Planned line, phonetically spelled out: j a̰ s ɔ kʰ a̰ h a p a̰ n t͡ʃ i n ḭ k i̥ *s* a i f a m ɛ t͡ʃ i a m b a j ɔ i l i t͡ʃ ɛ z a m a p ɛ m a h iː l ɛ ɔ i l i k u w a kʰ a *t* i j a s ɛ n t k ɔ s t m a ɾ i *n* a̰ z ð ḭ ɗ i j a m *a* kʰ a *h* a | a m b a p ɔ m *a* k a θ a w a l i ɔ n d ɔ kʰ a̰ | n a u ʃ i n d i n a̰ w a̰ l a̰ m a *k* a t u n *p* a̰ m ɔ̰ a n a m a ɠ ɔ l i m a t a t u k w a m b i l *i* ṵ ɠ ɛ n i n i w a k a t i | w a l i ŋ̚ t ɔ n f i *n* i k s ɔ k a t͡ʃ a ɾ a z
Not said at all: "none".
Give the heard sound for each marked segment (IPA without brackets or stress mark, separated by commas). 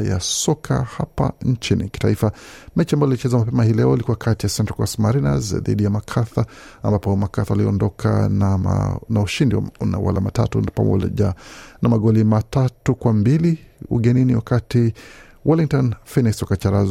t, t, n, a, θ, a, t, p, i, n